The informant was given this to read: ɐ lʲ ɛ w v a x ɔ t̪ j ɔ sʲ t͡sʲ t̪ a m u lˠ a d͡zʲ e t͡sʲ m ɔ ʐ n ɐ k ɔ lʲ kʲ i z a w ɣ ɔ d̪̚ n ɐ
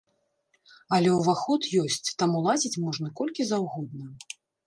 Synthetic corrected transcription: ɐ lʲ ɛ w v a x ɔ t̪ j ɔ sʲ t͡sʲ t̪ a m u lˠ a d͡zʲ i t͡sʲ m ɔ ʐ n ɐ k ɔ lʲ kʲ i z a w ɣ ɔ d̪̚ n ɐ